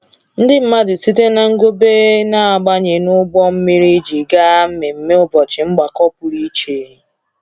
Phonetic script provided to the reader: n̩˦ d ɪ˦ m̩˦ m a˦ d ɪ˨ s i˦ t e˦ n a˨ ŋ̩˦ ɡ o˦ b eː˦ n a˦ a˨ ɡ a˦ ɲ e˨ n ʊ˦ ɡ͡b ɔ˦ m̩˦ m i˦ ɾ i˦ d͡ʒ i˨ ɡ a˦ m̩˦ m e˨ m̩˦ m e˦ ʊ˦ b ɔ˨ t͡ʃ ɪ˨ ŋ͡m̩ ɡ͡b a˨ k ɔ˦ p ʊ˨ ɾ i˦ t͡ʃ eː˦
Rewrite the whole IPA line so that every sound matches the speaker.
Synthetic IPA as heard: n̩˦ d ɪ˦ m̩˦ m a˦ d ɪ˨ s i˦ t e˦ n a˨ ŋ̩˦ ɡ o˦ b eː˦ n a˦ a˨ ɡ͡b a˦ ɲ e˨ n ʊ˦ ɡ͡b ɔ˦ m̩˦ m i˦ ɾ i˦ d͡ʒ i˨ ɡ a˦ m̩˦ m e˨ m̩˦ m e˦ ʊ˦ b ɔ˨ t͡ʃ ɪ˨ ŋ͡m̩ ɡ͡b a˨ k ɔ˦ p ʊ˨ ɾ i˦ t͡ʃ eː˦